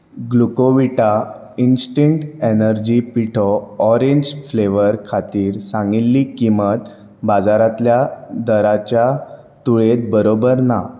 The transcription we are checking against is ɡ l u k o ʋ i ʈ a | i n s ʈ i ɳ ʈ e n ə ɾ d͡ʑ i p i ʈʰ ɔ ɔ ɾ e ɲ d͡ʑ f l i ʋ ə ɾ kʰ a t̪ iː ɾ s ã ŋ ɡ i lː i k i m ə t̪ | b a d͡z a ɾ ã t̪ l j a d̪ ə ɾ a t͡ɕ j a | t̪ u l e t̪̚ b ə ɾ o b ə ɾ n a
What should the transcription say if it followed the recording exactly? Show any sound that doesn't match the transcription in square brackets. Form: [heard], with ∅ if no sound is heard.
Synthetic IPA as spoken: ɡ l u k o ʋ i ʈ a | i n s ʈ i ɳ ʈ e n ə ɾ d͡ʑ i p i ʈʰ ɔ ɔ ɾ e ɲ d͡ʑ f l [e] ʋ ə ɾ kʰ a t̪ iː ɾ s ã ŋ ɡ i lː i k i m ə t̪ | b a d͡z a ɾ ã t̪ l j a d̪ ə ɾ a t͡ɕ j a | t̪ u [ɭ] e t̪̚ b ə ɾ o b ə ɾ n a